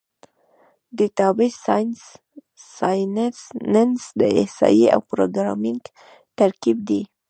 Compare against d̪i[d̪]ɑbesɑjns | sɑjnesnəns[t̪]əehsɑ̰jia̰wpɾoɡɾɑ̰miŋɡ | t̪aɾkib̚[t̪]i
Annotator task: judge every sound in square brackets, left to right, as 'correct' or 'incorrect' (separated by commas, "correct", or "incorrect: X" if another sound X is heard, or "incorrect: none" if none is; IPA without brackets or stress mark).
incorrect: t̪, incorrect: d̪, incorrect: d̪